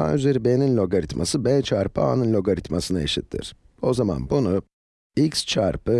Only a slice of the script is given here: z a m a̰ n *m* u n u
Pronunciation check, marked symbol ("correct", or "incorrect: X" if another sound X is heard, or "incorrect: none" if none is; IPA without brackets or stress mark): incorrect: b